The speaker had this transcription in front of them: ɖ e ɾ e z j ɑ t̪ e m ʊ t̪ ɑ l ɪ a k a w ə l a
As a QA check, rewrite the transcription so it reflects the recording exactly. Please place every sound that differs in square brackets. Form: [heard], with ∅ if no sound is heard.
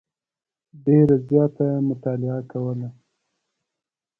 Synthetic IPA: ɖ e ɾ [a] z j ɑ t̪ [a] m ʊ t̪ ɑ l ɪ a k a w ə l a